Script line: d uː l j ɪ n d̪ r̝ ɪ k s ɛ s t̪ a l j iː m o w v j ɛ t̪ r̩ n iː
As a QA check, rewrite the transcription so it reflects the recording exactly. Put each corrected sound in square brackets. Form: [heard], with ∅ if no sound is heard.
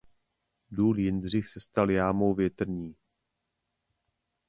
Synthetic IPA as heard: d uː l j ɪ n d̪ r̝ ɪ [x] s ɛ s t̪ a l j [aː] m o w v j ɛ t̪ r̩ [ɲ] iː